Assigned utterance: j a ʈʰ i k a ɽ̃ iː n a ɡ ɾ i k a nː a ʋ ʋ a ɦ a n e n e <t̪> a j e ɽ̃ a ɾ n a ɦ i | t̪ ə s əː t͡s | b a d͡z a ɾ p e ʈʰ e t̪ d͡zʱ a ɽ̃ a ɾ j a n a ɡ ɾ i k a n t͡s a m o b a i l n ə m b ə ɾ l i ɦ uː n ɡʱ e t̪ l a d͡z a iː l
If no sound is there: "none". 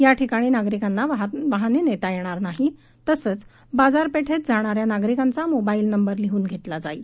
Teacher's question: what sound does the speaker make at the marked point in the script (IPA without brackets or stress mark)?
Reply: t̪